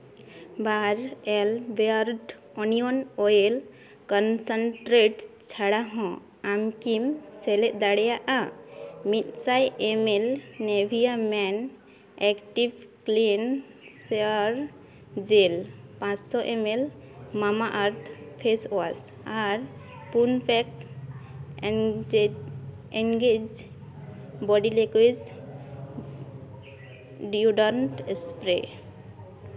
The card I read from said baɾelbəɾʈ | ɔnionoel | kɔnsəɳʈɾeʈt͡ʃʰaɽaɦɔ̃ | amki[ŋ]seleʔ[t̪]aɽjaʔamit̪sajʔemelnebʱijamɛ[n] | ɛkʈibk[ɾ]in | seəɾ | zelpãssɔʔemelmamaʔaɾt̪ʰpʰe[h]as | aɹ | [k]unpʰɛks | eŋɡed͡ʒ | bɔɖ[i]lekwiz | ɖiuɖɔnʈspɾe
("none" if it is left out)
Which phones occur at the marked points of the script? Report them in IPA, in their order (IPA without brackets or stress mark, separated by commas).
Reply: m, d̪, n, l, s, p, i